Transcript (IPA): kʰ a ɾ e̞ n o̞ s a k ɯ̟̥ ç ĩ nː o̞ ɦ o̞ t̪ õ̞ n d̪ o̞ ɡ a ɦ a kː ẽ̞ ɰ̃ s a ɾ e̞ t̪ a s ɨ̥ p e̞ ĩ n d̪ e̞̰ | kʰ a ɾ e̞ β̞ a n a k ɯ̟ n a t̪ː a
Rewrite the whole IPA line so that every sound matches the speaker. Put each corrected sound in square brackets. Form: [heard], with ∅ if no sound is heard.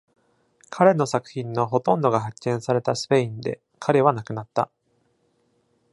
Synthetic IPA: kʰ a ɾ e̞ n o̞ s a k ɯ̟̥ ç ĩ nː o̞ ɦ o̞ t̪ õ̞ n d̪ o̞ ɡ a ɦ a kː ẽ̞ ɰ̃ s a ɾ e̞ t̪ a s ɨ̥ p e̞ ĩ n d̪ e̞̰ | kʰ a ɾ e̞ β̞ a n a k ɯ̟ n a t̪ː a